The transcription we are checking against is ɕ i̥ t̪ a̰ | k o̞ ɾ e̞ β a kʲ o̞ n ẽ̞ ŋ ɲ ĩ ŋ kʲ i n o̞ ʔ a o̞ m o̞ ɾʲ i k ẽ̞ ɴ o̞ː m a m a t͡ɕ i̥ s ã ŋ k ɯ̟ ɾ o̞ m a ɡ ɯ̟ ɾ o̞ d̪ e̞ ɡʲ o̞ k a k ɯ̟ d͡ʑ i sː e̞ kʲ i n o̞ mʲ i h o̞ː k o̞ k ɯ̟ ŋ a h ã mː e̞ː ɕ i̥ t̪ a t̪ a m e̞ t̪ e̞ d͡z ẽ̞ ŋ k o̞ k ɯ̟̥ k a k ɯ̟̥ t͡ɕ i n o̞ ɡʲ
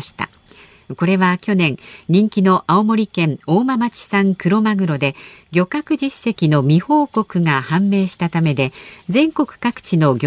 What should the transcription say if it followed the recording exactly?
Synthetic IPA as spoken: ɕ i̥ t̪ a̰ | k o̞ ɾ e̞ β a kʲ o̞ n ẽ̞ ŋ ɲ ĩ ŋ kʲ i n o̞ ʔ a o̞ m o̞ ɾʲ i k ẽ̞ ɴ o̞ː m a m a t͡ɕ i̥ s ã ŋ k ɯ̟ ɾ o̞ m a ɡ ɯ̟ ɾ o̞ d̪ e̞ ɡʲ o̞ k a k ɯ̟ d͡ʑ i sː e̞ kʲ i n o̞ mʲ i h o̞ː k o̞ k ɯ̟ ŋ a h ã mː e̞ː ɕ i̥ t̪ a t̪ a m e̞ d̪ e̞ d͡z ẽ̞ ŋ k o̞ k ɯ̟̥ k a k ɯ̟̥ t͡ɕ i n o̞ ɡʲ